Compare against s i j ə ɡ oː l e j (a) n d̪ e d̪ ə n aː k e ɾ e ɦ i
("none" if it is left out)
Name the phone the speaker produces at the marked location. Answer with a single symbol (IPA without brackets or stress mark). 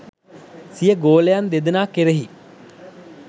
a